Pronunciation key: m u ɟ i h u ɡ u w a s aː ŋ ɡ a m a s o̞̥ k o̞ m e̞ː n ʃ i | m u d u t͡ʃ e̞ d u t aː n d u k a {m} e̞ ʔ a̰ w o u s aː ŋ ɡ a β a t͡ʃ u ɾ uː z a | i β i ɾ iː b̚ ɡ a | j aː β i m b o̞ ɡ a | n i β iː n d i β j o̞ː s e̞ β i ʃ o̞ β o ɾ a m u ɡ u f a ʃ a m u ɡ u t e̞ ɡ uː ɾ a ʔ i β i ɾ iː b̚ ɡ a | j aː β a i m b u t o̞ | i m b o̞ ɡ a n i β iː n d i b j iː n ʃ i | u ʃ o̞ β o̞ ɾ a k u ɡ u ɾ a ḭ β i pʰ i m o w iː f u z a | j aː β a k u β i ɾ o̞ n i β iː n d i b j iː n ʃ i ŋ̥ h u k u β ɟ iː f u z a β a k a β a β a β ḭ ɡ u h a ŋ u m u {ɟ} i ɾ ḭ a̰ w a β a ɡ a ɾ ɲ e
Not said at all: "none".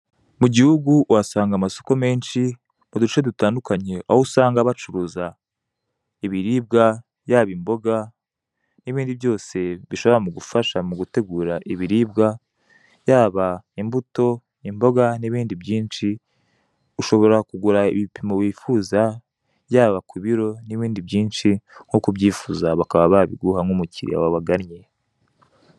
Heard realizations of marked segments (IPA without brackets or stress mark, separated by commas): ɲ, c